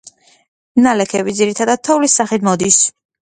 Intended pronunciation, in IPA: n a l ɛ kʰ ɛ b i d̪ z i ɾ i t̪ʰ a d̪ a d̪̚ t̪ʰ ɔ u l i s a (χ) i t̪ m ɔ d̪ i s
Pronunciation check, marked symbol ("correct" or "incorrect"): correct